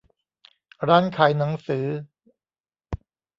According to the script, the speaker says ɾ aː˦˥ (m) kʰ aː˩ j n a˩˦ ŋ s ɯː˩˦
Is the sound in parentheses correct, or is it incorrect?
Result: incorrect: n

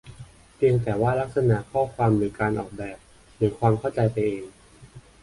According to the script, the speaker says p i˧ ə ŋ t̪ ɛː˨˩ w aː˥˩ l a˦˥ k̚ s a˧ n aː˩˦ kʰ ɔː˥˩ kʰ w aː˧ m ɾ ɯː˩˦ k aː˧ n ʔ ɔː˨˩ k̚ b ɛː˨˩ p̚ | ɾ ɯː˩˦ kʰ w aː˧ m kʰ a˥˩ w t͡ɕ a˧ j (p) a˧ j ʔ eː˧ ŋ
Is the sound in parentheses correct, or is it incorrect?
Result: correct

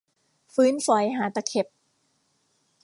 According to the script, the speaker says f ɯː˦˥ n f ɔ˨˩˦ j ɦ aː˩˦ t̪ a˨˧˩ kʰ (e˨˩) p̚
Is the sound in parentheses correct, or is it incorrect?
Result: correct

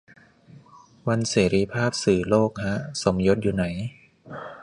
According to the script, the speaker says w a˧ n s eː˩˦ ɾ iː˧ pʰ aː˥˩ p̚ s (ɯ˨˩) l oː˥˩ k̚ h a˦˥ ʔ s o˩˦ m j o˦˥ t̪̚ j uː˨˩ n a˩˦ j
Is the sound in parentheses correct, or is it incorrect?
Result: incorrect: ɯː˨˩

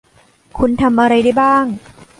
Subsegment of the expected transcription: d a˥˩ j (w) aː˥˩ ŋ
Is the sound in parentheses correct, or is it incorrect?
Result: incorrect: b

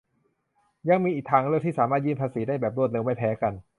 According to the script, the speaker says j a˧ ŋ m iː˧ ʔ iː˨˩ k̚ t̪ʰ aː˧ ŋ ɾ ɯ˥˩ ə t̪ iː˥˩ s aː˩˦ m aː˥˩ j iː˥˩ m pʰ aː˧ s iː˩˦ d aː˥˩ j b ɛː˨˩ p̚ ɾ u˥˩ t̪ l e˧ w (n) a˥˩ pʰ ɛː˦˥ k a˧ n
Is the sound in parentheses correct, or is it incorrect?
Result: incorrect: m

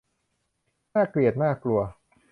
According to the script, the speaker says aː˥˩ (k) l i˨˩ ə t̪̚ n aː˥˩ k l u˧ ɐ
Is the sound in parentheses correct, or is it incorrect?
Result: correct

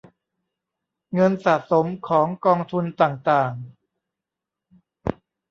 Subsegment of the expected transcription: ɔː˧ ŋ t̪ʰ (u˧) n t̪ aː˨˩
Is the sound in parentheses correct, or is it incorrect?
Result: correct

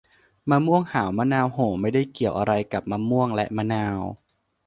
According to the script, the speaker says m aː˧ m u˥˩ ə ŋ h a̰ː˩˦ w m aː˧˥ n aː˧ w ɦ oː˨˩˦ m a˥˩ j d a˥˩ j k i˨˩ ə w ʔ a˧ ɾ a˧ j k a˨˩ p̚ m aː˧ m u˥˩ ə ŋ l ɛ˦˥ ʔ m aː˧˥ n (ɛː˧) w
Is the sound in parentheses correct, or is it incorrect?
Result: incorrect: aː˧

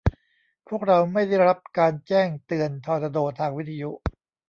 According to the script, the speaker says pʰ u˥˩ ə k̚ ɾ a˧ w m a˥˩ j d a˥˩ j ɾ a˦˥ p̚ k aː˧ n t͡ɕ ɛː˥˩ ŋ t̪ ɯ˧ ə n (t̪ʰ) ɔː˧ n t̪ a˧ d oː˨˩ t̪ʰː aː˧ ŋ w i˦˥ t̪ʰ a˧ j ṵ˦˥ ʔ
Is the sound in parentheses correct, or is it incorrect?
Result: correct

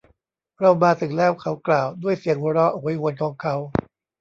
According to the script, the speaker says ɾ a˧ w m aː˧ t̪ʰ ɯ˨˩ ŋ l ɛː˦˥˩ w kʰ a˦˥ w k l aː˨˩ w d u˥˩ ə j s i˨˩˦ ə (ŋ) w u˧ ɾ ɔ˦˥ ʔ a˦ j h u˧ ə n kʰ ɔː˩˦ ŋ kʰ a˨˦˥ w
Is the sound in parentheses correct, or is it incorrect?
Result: correct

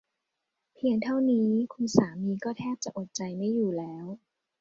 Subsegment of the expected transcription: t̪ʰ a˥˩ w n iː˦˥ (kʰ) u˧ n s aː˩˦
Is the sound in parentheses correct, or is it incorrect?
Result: correct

